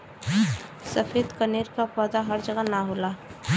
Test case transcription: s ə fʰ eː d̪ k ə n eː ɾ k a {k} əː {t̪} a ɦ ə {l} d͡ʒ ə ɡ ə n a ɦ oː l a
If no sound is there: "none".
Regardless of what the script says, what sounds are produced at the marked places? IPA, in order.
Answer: p, d̪, ɾ

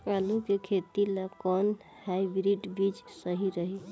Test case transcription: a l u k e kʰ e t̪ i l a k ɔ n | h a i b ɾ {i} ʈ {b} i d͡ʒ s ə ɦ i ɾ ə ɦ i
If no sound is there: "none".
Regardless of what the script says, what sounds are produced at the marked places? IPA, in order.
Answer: i, b

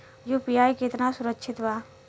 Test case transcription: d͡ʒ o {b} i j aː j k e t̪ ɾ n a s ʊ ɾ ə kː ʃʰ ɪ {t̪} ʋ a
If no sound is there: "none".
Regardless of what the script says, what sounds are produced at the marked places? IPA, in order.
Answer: p, t̪

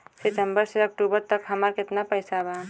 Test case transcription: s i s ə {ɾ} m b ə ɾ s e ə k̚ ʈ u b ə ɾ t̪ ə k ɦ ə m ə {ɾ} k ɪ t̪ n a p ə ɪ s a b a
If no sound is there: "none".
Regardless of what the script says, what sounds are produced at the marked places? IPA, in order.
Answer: none, ɾ

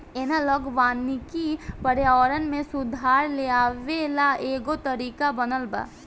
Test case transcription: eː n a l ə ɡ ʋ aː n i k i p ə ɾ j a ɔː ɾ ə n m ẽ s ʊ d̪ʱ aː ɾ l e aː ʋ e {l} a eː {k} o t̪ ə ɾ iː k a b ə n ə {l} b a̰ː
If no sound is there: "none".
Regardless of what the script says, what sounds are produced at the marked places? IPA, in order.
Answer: l, ɡ, l

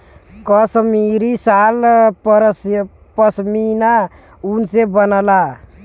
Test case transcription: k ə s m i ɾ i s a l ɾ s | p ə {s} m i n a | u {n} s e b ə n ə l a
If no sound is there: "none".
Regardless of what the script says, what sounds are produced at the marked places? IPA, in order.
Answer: s, n

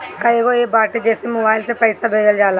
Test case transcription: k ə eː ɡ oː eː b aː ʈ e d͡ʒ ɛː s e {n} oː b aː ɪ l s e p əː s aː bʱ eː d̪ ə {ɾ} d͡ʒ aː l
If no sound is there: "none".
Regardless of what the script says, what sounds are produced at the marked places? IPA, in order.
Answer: m, l

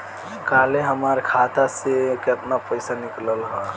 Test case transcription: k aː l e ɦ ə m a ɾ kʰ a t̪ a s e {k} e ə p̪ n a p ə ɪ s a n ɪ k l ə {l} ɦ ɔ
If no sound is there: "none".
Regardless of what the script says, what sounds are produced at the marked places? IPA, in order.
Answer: k, l

